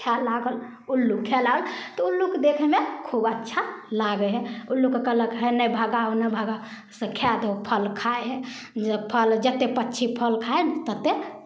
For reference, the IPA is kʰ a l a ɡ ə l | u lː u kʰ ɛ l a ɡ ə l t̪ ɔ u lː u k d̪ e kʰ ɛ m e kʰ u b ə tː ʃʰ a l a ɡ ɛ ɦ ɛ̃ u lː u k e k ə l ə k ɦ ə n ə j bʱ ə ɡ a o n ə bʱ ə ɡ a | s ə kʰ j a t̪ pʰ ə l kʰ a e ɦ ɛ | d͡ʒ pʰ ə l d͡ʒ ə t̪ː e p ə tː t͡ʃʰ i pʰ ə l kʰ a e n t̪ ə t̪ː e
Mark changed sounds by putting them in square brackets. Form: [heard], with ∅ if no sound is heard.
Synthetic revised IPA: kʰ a l a ɡ ə l | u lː u kʰ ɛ l a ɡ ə l t̪ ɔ u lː u k d̪ e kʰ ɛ m e kʰ u b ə tː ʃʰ a l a ɡ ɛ ɦ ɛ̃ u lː u k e k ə l ə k ɦ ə n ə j bʱ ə ɡ a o n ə bʱ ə ɡ a | s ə kʰ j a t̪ pʰ ə l kʰ a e ɦ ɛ | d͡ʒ pʰ ə l d͡ʒ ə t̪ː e p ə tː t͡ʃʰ i pʰ ə l kʰ a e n t̪ ə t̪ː e